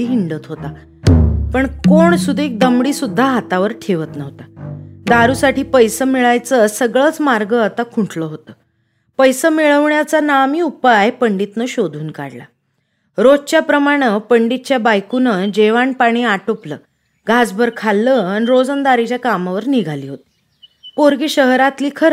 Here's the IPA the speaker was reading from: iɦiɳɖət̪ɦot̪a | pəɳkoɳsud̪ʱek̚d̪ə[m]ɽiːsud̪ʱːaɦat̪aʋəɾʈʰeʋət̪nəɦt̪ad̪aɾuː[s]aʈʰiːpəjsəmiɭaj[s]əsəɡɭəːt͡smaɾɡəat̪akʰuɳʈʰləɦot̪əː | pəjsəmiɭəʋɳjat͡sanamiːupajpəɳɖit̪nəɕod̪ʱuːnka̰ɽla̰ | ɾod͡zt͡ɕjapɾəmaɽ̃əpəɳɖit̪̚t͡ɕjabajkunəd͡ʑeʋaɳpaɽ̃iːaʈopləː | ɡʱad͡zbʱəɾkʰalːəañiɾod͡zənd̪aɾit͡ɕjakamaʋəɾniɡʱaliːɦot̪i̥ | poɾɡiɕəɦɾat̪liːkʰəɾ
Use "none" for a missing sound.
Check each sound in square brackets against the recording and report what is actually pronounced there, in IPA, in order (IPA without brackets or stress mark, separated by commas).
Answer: m, s, t͡s